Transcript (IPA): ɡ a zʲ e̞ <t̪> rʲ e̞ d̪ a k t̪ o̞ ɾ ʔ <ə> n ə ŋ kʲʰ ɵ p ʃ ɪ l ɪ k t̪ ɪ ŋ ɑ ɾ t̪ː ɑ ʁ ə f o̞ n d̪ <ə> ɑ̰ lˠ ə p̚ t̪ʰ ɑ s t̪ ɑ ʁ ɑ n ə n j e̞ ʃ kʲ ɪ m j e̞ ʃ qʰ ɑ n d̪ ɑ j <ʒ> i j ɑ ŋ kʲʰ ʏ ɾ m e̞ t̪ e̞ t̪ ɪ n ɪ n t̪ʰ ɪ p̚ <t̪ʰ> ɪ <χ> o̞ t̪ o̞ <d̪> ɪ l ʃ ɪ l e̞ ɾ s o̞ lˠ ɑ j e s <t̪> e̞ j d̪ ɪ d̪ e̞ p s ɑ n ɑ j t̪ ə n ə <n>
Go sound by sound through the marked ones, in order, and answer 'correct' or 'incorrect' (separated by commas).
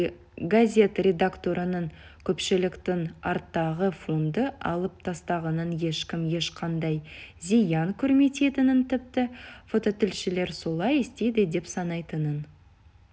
correct, correct, correct, incorrect, incorrect, incorrect, incorrect, correct, correct